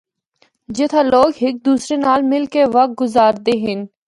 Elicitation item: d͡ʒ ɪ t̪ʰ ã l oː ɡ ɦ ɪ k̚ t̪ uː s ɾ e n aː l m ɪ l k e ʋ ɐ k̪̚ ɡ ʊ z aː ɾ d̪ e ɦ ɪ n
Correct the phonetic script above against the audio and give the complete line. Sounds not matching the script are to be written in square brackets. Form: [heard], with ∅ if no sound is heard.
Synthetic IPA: d͡ʒ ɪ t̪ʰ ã l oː ɡ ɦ ɪ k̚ [d̪] uː s ɾ e n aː l m ɪ l k e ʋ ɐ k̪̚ ɡ ʊ z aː ɾ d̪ e ɦ ɪ n